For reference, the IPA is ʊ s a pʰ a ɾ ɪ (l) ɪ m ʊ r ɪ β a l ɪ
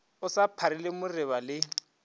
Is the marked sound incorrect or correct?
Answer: correct